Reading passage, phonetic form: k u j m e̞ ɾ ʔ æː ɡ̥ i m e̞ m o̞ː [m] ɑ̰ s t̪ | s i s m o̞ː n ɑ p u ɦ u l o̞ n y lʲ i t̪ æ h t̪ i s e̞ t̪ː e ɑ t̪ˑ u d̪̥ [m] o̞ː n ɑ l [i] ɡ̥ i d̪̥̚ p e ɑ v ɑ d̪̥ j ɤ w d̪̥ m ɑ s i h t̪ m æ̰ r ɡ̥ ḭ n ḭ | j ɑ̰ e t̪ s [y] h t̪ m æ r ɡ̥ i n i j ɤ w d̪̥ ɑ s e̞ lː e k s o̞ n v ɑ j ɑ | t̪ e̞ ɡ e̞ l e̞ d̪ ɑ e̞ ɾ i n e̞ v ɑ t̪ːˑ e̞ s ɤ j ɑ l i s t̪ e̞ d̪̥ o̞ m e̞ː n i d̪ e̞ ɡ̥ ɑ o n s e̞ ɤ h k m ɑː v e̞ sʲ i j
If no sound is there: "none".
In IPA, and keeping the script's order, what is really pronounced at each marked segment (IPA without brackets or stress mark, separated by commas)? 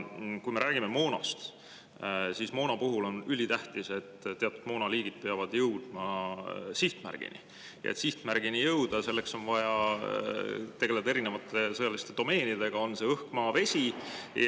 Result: n, m, iː, i